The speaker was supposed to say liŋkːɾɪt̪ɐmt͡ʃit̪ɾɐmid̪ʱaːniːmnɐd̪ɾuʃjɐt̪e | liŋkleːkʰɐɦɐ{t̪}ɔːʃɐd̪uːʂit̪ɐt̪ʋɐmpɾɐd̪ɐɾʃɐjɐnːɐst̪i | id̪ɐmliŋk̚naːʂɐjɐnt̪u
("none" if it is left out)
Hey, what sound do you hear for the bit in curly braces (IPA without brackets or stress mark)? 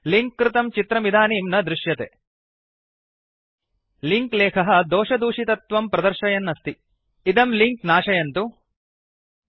d̪